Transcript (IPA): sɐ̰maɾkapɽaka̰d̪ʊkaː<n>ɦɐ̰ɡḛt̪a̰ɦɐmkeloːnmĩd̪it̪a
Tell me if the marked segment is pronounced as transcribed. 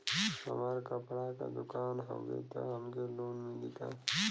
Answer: yes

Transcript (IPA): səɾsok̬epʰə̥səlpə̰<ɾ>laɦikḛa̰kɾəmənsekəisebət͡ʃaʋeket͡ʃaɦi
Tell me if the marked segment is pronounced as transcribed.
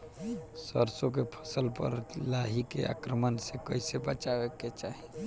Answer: yes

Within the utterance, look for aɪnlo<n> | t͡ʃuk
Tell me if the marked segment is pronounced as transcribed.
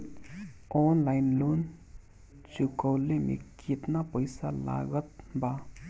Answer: yes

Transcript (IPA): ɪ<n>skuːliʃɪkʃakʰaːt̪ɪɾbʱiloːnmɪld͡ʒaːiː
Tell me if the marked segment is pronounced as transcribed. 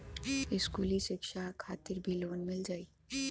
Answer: no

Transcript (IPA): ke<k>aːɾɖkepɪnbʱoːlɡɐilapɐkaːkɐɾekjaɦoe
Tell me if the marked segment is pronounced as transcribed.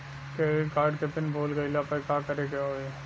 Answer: yes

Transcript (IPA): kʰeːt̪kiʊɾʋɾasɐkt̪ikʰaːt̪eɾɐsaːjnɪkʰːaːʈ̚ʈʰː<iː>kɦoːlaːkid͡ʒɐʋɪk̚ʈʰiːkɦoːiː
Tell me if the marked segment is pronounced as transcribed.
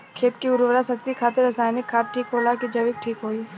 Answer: yes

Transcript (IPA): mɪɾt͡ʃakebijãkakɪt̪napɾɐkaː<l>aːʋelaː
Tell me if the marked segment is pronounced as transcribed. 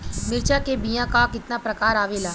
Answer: no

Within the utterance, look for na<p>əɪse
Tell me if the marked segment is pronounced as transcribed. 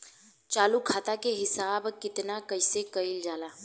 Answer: no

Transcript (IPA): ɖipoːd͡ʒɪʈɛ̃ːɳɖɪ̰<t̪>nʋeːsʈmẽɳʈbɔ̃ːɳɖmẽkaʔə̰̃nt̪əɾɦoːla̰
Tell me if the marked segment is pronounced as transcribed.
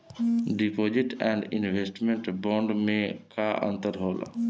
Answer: no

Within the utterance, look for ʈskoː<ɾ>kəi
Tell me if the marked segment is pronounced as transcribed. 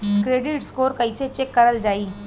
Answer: yes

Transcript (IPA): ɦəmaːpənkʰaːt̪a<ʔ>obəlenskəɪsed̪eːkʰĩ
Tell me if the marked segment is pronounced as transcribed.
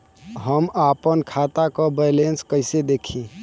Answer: no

